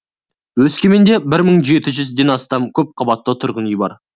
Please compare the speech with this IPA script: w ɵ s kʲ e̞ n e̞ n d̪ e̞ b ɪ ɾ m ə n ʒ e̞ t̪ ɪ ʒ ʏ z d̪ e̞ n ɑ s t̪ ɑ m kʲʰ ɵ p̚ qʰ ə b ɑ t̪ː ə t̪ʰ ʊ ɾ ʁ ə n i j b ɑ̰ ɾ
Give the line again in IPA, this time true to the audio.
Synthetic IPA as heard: w ɵ s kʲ e̞ m e̞ n d̪ e̞ b ɪ ɾ m ə ɴ ʒ e̞ t̪ ɪ ʒ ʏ z d̪ e̞ n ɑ s t̪ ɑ m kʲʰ ɵ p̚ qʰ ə b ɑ t̪ː ə t̪ʰ ʊ ɾ ʁ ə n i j b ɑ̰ ɾ